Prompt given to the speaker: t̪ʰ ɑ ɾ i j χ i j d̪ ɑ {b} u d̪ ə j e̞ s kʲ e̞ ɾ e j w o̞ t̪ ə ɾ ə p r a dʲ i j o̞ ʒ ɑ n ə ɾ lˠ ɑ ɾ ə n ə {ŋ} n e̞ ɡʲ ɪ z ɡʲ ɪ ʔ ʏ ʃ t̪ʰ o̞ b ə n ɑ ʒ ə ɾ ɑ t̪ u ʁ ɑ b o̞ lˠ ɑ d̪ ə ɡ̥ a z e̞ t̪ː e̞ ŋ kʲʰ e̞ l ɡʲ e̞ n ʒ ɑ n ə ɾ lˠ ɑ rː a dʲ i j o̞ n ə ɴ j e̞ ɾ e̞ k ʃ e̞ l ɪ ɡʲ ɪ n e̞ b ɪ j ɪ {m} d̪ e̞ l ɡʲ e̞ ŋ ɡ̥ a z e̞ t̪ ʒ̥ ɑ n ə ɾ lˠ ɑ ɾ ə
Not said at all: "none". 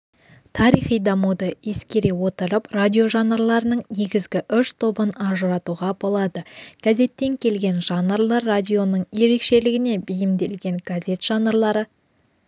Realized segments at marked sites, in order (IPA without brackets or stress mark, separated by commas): m, ɴ, m